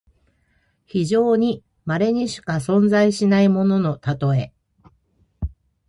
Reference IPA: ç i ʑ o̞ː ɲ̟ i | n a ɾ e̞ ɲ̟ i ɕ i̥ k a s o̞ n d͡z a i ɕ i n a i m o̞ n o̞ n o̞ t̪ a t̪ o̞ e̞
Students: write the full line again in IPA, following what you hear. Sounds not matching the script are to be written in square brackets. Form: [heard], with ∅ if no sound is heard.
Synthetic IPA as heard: ç i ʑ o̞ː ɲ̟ i | [m] a ɾ e̞ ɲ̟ i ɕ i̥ k a s [õ̞] n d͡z a i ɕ i n a i m o̞ n o̞ n o̞ t̪ a t̪ o̞ e̞